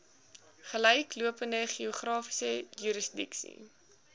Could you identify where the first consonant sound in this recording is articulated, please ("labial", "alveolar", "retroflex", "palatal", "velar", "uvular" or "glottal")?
uvular